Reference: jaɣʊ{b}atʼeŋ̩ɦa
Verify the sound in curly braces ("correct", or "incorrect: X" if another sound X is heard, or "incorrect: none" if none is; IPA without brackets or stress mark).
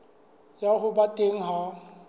correct